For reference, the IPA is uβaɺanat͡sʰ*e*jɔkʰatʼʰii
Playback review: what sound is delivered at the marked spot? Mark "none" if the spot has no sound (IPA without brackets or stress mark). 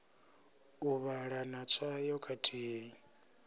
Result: a